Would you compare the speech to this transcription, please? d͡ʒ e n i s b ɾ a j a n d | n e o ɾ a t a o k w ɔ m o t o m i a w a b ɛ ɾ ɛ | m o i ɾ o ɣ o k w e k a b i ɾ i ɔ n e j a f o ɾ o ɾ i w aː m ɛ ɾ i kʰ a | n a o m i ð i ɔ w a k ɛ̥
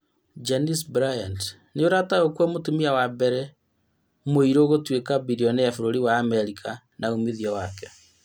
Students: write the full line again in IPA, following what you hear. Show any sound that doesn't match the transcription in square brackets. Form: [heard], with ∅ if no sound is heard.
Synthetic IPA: d͡ʒ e n i s b ɾ a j a n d | n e o ɾ a t a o k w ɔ m o t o m i a w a b ɛ ɾ ɛ | m o i ɾ o ɣ o [t] w e k a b i ɾ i ɔ n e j a f o ɾ o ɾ i w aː m ɛ ɾ i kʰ a | n a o m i ð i ɔ w a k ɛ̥